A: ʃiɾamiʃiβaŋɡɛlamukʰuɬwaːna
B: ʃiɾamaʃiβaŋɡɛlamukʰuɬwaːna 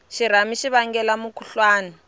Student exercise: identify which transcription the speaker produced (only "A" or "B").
A